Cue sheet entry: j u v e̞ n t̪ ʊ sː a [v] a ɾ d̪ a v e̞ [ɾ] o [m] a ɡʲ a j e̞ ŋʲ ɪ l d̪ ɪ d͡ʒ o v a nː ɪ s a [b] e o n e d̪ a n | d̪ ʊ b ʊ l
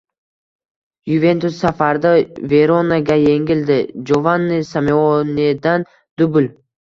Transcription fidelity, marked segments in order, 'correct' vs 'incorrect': incorrect: f, correct, incorrect: n, incorrect: m

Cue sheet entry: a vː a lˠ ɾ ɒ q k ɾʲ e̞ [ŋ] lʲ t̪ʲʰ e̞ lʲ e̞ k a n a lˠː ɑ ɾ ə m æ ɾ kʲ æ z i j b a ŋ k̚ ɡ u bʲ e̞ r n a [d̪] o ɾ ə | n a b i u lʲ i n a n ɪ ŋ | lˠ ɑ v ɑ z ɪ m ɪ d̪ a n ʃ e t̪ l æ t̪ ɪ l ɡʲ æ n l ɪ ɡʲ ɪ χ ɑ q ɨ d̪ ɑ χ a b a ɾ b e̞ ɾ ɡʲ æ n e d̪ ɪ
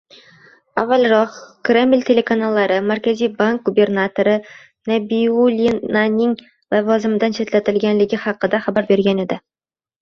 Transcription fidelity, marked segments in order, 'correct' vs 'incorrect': incorrect: m, incorrect: t̪

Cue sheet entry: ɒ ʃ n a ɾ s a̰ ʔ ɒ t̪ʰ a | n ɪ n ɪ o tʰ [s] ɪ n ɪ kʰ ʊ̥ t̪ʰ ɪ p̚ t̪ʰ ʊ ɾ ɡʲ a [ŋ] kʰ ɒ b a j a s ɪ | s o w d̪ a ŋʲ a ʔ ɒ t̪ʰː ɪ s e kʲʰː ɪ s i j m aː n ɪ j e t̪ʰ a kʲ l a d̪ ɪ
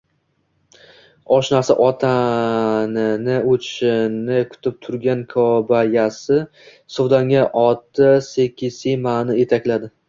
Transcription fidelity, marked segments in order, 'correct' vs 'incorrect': incorrect: ʃ, incorrect: n

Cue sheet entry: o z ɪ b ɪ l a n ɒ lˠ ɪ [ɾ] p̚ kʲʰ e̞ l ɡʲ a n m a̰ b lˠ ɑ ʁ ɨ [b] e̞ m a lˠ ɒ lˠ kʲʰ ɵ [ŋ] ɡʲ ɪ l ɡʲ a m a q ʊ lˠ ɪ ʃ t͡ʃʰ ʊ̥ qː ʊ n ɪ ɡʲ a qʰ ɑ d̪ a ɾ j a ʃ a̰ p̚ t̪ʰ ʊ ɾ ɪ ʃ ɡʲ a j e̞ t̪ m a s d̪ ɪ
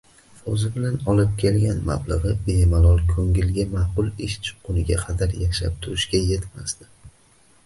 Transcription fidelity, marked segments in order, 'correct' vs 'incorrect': incorrect: none, correct, correct

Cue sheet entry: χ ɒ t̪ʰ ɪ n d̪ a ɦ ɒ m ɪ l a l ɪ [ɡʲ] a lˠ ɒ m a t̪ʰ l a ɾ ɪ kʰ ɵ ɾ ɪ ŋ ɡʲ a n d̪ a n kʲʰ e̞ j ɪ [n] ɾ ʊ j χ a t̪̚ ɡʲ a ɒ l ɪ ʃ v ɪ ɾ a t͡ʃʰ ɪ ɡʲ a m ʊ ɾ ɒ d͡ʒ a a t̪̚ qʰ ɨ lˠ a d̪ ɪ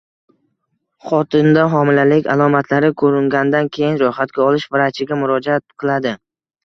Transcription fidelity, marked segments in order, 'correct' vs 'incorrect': incorrect: kʲ, correct

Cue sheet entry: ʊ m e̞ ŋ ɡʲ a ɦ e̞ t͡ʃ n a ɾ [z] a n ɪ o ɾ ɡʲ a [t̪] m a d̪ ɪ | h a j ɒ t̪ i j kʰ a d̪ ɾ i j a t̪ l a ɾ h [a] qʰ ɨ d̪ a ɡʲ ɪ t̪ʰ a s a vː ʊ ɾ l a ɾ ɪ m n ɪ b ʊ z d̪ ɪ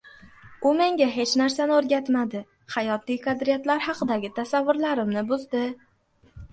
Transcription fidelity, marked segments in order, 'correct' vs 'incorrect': incorrect: s, correct, incorrect: ɑ

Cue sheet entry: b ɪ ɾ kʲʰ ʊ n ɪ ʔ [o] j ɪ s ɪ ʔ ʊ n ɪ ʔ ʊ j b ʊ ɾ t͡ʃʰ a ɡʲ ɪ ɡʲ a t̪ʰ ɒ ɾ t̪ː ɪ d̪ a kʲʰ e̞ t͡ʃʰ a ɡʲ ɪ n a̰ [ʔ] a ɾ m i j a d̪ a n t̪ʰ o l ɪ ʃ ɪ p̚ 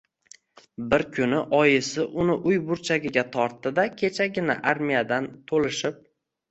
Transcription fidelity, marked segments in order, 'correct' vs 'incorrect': incorrect: ɒ, correct

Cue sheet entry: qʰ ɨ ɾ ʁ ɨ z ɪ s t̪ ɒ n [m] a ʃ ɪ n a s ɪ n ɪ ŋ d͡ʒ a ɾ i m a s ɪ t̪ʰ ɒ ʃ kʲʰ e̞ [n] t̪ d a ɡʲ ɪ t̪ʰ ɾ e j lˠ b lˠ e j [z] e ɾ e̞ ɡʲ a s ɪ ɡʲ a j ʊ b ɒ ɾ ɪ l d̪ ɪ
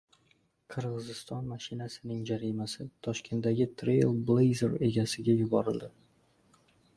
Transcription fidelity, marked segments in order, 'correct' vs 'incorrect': correct, correct, correct

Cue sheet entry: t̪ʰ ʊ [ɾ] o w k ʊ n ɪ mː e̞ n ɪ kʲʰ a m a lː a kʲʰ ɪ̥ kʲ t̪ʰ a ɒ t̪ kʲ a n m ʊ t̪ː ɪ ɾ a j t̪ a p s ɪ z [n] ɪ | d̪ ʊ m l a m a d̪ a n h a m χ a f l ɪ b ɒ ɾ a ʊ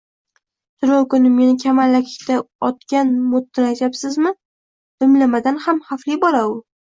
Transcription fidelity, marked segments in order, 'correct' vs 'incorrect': correct, incorrect: m

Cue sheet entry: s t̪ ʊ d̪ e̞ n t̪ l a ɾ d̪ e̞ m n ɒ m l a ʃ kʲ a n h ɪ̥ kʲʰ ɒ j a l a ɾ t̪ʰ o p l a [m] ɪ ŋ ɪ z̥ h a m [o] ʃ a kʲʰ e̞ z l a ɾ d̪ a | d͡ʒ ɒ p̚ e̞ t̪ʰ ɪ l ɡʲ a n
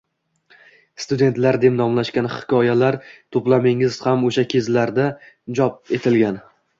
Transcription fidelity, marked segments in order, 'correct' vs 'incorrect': correct, correct

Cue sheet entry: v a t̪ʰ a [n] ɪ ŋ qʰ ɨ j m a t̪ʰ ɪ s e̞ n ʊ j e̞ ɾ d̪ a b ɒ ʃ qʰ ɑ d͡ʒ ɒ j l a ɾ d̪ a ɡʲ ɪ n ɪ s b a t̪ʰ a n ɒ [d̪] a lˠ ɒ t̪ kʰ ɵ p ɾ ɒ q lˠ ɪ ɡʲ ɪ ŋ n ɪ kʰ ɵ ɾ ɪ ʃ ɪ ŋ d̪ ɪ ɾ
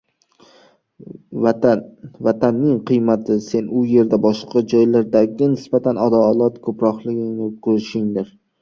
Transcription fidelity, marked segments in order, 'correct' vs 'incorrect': incorrect: nː, correct

